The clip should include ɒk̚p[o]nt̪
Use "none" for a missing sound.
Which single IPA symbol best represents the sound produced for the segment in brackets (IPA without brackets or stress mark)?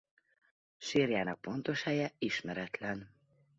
o